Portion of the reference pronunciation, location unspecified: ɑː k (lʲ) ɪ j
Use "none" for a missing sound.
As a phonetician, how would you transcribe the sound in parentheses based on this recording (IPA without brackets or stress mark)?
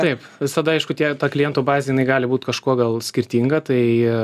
lʲ